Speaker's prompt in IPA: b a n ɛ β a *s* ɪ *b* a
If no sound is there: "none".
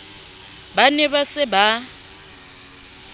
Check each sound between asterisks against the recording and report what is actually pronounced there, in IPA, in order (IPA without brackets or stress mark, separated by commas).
s, b